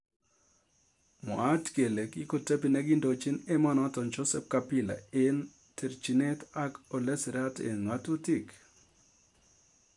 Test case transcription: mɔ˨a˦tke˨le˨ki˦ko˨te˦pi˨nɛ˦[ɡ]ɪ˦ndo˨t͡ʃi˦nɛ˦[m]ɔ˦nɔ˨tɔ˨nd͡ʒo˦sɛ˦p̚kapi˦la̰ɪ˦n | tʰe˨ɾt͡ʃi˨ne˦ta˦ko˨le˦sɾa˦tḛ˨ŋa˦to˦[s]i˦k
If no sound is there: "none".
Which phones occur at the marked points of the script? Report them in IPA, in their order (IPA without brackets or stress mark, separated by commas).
ɡ, m, t